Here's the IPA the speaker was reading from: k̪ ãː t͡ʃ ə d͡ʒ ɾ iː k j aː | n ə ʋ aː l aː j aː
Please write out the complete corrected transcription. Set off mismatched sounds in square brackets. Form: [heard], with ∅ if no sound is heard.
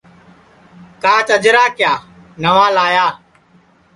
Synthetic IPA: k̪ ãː t͡ʃ ə d͡ʒ ɾ [aː] k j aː | n ə ʋ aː l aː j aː